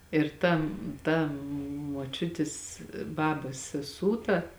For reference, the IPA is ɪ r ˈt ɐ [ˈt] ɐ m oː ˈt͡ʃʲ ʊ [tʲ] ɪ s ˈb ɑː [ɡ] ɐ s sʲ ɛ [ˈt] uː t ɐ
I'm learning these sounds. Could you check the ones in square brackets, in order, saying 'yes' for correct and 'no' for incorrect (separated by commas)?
yes, yes, no, no